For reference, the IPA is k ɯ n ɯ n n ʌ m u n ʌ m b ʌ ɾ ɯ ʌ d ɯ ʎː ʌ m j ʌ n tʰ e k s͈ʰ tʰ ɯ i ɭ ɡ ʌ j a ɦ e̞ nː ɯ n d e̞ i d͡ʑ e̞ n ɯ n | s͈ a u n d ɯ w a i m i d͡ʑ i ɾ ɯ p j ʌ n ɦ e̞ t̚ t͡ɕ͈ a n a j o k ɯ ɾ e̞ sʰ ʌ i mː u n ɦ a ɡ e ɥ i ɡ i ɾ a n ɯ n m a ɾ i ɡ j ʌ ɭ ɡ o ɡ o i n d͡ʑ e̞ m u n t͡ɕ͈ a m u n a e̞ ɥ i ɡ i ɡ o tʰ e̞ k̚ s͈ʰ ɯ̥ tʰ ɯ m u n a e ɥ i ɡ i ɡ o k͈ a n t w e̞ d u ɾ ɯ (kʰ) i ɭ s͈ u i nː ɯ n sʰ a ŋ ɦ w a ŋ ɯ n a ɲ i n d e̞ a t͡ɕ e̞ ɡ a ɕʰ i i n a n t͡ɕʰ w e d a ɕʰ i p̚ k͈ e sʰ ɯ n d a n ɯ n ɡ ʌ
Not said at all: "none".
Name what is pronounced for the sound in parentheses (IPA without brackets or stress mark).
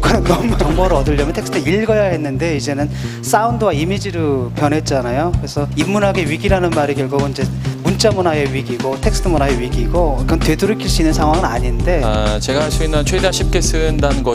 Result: kʰ